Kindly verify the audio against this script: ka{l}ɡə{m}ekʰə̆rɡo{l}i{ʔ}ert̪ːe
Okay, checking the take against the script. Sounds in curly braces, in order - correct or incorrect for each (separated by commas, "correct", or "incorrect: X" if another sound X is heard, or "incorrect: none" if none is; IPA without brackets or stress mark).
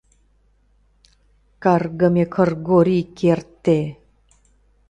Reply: incorrect: r, correct, incorrect: ɾ, incorrect: k